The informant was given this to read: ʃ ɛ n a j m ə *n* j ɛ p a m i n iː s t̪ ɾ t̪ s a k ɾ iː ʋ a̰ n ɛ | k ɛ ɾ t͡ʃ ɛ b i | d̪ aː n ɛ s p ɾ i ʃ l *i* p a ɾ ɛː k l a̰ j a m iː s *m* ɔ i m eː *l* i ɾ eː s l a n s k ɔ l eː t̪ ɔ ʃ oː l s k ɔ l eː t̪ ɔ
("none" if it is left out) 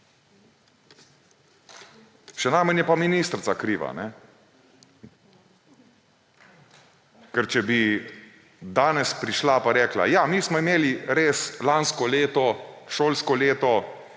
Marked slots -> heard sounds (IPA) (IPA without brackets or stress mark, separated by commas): n, a, m, l